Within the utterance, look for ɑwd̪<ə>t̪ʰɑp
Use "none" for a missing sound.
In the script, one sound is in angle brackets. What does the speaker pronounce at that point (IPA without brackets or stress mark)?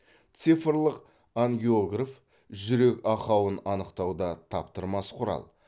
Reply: ɑ